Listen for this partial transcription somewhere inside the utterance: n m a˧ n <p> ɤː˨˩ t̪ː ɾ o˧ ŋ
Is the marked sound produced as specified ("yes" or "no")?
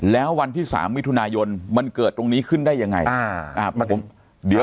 no